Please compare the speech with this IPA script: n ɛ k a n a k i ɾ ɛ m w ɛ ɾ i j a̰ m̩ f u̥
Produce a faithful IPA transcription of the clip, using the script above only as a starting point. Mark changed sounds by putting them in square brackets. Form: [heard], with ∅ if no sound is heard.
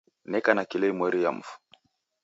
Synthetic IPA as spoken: n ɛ k a n a k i [l] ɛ m w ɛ ɾ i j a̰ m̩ f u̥

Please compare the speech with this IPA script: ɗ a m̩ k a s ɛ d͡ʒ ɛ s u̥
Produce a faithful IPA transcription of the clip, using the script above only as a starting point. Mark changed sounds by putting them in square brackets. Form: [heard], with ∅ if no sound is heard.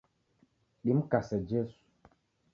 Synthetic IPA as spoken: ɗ [i] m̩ k a s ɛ d͡ʒ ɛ s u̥

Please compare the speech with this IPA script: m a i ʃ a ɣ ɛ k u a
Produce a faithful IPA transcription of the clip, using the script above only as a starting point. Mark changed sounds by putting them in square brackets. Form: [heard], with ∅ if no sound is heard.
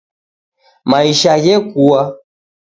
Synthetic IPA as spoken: m a i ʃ a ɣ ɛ k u a

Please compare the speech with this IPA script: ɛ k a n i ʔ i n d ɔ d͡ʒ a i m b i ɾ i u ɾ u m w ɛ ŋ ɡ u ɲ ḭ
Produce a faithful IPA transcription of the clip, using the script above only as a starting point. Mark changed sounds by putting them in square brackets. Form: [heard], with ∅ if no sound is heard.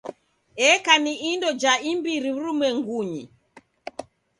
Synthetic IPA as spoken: ɛ k a n i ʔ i n d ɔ d͡ʒ a i m b i ɾ i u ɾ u m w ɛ ŋ ɡ u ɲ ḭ

